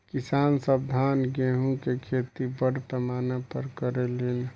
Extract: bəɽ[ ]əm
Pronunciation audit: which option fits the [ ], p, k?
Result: p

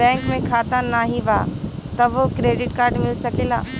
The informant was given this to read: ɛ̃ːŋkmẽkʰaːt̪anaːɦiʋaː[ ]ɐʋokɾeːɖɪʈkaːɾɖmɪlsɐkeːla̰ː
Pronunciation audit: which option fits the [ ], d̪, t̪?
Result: t̪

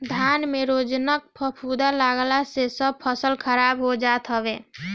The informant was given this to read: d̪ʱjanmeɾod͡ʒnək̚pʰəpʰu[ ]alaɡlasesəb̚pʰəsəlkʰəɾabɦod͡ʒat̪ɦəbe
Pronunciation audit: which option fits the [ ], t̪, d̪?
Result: d̪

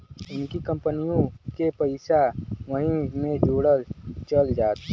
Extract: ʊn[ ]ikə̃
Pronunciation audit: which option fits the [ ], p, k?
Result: k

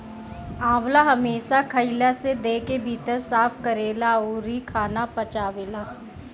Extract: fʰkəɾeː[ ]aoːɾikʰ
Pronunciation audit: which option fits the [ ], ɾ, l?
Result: l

